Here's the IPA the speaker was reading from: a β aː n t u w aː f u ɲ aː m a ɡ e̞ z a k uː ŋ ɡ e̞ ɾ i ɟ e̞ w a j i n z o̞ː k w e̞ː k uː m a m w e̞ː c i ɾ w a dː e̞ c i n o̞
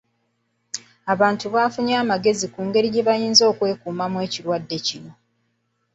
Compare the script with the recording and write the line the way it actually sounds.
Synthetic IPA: a β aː n t u β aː f u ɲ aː m a ɡ e̞ z i k uː ŋ ɡ e̞ ɾ i ɟ e̞ β a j iː n z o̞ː k w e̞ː k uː m a m w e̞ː c i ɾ w a dː e̞ c i n o̞